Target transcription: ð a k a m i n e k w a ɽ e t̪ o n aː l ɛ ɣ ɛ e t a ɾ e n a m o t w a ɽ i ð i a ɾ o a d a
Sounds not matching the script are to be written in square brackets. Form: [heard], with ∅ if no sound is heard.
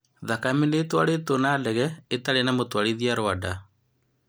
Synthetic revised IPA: ð a k a m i n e [t] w a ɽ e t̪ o n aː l ɛ ɣ ɛ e t a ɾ e n a m o t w a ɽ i ð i a ɾ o a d a